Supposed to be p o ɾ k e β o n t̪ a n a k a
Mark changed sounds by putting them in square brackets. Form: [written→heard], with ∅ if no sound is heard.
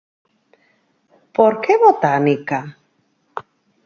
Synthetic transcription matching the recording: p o ɾ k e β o [n→∅] t̪ a n [a→i] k a

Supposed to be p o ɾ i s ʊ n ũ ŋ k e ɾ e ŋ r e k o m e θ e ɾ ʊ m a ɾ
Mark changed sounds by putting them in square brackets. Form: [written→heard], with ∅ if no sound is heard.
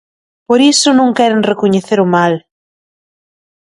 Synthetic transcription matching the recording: p o ɾ i s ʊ n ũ ŋ k [e→ɛ] ɾ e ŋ r e k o [m→ɲ] e θ e ɾ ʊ m a [ɾ→l]

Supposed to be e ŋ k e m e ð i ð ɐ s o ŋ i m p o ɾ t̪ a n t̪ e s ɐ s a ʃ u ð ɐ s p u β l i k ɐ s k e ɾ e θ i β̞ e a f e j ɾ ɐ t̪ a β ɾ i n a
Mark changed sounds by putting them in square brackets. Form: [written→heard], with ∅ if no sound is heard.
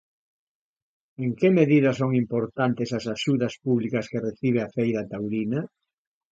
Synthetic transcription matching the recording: e ŋ k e m e ð i ð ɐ s o ŋ i m p o ɾ t̪ a n t̪ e s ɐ s a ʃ u ð ɐ s p u β l i k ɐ s k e [ɾ→r] e θ i β̞ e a f e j ɾ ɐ t̪ a [β→w] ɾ i n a

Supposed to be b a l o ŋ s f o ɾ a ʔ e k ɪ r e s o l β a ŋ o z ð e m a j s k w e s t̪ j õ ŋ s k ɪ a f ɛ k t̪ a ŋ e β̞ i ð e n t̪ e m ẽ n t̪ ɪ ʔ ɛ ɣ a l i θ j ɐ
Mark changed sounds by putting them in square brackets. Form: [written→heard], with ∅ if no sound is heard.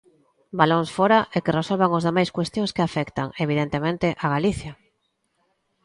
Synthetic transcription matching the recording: b a l o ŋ s f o ɾ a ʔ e k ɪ r e s o l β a ŋ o z ð e m a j s k w e s t̪ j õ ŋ s k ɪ a f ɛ k t̪ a ŋ e β̞ i ð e n t̪ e m ẽ n t̪ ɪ ʔ [ɛ→a] ɣ a l i θ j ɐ

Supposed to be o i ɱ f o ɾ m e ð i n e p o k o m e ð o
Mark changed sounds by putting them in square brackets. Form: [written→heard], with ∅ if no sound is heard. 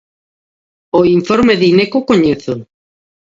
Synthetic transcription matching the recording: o i ɱ f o ɾ m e ð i n e [p→k] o k o [m→ɲ] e [ð→θ] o

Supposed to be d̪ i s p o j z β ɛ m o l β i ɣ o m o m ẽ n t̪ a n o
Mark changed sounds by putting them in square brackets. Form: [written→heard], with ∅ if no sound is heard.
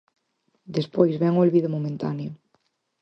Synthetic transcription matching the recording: d̪ [i→e] s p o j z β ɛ [m→ŋ] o l β i [ɣ→ð] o m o m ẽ n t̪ a n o

